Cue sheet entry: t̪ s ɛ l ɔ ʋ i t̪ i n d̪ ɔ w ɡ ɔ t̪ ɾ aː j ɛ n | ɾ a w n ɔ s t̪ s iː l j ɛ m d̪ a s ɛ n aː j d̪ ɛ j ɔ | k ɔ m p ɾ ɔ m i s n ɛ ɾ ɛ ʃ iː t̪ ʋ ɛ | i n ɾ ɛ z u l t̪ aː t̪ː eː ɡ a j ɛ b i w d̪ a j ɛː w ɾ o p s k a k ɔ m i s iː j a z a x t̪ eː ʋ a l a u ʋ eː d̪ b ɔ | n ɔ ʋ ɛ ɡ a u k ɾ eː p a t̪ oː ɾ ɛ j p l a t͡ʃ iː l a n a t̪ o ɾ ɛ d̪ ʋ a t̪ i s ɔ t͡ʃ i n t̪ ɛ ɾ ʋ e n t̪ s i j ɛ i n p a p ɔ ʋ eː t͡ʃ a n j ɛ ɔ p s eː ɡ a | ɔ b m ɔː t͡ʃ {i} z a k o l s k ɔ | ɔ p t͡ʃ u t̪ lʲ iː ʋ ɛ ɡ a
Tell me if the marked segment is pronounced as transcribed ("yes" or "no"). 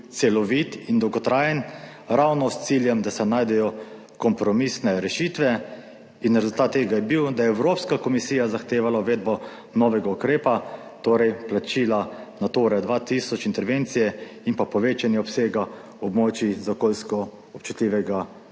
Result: yes